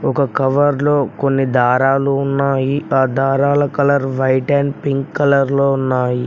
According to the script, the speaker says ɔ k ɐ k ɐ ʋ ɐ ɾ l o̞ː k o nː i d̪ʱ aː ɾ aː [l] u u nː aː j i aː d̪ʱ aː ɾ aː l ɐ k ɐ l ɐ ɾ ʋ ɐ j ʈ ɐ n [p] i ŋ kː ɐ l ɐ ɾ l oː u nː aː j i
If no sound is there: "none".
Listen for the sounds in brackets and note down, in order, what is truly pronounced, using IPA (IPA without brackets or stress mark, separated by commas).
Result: l, p